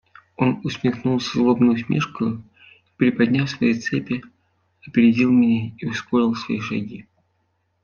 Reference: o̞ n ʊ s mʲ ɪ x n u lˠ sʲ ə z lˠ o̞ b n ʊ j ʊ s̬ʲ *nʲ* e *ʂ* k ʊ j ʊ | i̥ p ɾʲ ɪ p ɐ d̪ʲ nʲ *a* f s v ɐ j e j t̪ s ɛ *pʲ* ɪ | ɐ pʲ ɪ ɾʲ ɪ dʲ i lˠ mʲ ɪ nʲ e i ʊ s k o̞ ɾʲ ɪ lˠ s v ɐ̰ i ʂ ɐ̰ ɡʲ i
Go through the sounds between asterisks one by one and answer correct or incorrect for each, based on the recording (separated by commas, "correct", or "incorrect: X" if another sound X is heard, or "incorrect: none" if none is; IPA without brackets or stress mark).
incorrect: mʲ, correct, correct, correct